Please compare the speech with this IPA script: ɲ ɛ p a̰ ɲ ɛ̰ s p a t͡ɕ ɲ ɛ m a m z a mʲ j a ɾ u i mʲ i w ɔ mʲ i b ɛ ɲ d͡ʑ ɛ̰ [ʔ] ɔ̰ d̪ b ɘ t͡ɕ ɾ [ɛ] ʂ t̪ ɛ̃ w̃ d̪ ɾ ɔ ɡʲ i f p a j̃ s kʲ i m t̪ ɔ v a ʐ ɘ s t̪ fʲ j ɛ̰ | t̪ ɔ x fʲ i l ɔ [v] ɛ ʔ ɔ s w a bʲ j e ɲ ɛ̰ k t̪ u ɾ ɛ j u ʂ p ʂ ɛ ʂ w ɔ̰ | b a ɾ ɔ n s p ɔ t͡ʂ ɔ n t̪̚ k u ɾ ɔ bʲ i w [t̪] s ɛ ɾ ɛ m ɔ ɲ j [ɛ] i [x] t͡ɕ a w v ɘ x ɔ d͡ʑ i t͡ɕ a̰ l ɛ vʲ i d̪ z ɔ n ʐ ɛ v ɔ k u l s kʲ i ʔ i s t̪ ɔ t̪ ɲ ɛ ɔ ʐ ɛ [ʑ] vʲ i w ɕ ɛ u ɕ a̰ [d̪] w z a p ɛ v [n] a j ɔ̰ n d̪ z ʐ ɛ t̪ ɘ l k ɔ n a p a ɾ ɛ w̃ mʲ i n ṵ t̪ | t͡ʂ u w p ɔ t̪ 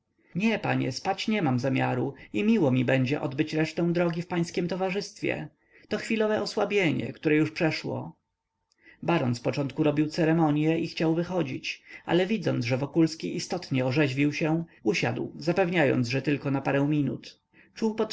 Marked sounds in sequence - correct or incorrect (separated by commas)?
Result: correct, correct, correct, correct, correct, correct, correct, correct, incorrect